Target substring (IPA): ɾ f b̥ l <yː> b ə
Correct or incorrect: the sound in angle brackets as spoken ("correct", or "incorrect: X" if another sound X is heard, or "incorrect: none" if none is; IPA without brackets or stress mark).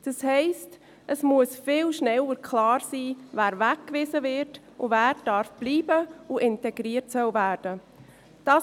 incorrect: iː